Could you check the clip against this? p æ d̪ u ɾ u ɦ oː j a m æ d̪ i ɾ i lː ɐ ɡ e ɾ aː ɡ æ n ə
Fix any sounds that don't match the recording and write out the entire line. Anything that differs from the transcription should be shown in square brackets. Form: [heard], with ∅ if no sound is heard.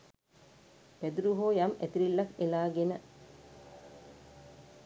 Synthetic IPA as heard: p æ d̪ u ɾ u ɦ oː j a m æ [t̪] i ɾ i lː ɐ [k] e [l] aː ɡ [e] n ə